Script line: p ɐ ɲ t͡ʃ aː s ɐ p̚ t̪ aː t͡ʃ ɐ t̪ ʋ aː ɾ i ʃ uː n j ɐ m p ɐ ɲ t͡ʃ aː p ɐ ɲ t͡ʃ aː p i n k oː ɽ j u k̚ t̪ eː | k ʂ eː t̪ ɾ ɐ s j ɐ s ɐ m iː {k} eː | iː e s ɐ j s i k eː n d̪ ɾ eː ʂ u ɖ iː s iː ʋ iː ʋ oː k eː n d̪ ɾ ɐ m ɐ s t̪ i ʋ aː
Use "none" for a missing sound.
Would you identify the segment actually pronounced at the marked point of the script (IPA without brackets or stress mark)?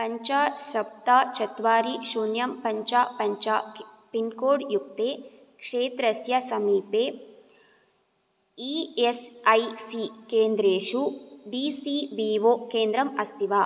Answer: p